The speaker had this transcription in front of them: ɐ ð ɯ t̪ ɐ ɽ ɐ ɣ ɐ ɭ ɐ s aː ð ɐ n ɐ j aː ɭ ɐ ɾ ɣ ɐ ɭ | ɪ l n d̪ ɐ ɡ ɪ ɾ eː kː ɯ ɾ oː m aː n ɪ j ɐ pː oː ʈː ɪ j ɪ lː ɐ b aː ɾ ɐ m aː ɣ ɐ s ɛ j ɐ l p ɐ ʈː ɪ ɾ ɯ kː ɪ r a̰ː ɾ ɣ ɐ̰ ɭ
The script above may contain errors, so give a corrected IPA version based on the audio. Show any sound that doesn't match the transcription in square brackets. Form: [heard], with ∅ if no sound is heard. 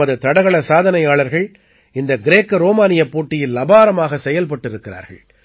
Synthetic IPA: ɐ ð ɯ t̪ ɐ ɽ ɐ ɣ ɐ ɭ ɐ s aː ð ɐ n ɐ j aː ɭ ɐ ɾ ɣ ɐ ɭ | ɪ [∅] n d̪ ɐ ɡ ɪ ɾ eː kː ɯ ɾ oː m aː n ɪ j ɐ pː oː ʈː ɪ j ɪ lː ɐ b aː ɾ ɐ m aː ɣ ɐ s ɛ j ɐ l p ɐ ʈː ɪ ɾ ɯ kː ɪ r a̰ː ɾ ɣ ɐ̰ ɭ

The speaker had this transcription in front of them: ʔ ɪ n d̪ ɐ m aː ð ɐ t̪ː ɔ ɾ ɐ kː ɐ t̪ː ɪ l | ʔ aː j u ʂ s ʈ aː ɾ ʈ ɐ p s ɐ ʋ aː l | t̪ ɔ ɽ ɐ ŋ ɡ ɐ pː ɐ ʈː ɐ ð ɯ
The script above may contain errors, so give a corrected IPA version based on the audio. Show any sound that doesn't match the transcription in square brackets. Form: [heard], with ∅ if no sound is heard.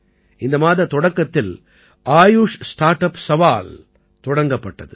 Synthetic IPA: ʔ ɪ n d̪ ɐ m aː ð ɐ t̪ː ɔ [ɽ] ɐ kː ɐ t̪ː ɪ l | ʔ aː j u ʂ s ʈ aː ɾ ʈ ɐ p s ɐ ʋ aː l | t̪ ɔ ɽ ɐ ŋ ɡ ɐ pː ɐ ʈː ɐ ð ɯ

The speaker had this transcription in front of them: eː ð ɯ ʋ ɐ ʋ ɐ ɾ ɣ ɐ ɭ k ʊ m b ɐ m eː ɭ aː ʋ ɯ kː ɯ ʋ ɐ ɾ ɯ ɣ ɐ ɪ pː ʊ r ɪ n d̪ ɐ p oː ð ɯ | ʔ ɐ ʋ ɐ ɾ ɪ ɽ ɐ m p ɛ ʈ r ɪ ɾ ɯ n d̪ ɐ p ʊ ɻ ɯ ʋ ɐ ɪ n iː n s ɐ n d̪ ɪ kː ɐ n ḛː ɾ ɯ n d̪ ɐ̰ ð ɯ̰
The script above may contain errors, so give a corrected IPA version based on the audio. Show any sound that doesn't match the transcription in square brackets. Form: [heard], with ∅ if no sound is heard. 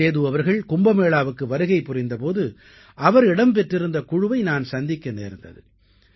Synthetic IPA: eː ð ɯ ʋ ɐ ʋ ɐ ɾ ɣ ɐ ɭ k ʊ m b ɐ m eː ɭ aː ʋ ɯ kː ɯ ʋ ɐ ɾ ɯ ɣ ɐ ɪ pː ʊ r ɪ n d̪ ɐ p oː ð ɯ | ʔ ɐ ʋ ɐ ɾ ɪ ɽ ɐ m p ɛ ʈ r ɪ ɾ ɯ n d̪ ɐ [k] ʊ ɻ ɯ ʋ ɐ ɪ n [aː] n s ɐ n d̪ ɪ kː ɐ n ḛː ɾ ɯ n d̪ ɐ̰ ð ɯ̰

